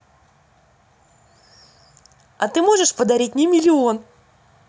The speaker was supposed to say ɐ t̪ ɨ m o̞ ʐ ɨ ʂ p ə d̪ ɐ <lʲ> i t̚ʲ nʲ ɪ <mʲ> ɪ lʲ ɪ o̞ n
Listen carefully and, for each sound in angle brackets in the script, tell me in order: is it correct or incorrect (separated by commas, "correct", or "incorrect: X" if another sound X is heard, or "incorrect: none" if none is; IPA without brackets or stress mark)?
incorrect: ɾʲ, correct